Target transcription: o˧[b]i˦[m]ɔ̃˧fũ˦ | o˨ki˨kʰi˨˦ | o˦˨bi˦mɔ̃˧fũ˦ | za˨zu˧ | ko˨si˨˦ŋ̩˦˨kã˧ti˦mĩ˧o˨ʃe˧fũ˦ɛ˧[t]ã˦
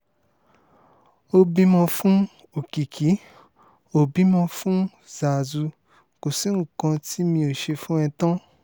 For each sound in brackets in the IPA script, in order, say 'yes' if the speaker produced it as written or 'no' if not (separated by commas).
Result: yes, yes, yes